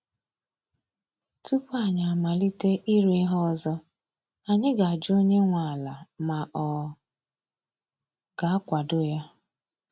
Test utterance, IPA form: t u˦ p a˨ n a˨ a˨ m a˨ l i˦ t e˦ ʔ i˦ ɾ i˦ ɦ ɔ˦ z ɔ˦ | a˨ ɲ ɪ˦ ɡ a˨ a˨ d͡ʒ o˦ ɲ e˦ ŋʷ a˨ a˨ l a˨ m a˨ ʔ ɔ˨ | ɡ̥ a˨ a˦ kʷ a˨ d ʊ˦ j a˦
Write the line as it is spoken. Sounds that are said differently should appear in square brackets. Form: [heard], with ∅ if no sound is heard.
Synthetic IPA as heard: t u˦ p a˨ [ɲ] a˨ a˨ m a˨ l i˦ t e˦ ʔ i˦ ɾ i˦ ɦ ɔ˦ z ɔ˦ | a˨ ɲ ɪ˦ ɡ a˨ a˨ d͡ʒ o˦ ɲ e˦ ŋʷ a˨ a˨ l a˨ m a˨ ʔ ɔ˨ | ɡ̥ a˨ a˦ kʷ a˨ d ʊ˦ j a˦

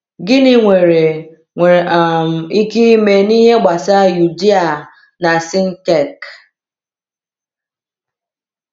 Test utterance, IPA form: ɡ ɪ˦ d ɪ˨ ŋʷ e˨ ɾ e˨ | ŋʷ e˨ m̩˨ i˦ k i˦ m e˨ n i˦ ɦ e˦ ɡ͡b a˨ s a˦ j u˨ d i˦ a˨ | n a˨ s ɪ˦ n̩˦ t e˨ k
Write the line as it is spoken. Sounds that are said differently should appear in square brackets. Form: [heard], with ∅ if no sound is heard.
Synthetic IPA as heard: ɡ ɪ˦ [n] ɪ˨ ŋʷ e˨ ɾ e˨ | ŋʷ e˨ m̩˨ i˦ k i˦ m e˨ n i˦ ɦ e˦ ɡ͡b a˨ s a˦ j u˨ d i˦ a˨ | n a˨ s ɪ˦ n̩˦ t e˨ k

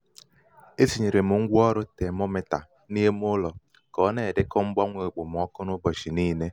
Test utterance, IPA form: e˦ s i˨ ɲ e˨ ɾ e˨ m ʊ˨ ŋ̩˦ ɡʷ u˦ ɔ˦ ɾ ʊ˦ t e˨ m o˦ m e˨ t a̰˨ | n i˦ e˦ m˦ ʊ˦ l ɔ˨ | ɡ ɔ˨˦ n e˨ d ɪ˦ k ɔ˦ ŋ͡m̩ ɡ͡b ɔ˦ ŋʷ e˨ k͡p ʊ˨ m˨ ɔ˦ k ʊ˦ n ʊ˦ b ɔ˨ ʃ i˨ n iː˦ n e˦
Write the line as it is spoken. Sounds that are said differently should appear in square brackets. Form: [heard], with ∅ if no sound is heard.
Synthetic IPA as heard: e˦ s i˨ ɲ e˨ ɾ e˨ m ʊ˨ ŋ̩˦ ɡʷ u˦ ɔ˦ ɾ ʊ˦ t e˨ m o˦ m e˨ t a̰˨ | n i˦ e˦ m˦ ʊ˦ l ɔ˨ | [k] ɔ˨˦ n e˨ d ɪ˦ k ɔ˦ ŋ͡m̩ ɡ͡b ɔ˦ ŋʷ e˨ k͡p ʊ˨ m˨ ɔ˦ k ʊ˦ n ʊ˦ b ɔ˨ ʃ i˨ n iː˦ n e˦

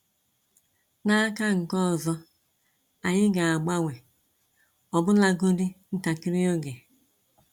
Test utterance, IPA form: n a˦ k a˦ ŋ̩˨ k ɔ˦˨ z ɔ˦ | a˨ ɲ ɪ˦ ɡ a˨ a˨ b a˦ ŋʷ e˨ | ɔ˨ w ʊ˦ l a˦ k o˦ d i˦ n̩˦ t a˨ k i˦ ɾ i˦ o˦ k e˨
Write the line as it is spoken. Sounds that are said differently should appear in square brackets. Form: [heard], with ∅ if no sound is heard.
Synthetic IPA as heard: n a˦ k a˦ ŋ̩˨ k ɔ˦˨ z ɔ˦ | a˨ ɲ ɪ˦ ɡ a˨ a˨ [ɡ͡b] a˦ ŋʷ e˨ | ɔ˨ [b] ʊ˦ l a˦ [ɡ] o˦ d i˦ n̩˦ t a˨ k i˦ ɾ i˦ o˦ [ɡ] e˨

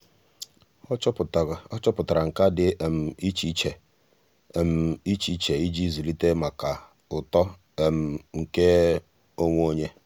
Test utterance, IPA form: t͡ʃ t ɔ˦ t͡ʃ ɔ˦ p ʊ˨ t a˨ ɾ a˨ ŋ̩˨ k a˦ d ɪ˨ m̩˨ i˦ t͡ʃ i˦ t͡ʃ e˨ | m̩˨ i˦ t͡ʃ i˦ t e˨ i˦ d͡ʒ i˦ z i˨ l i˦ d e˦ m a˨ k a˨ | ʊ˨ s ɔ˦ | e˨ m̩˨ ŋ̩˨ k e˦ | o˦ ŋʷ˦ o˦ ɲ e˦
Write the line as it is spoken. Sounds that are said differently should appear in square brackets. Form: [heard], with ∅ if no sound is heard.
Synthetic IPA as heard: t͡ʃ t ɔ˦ t͡ʃ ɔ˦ p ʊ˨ t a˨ ɾ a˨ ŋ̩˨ k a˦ d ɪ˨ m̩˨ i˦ t͡ʃ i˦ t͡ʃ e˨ | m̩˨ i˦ t͡ʃ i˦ [t͡ʃ] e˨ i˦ d͡ʒ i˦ z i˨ l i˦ [t] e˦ m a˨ k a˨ | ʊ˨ [t] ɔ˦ | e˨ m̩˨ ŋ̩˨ k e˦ | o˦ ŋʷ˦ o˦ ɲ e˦

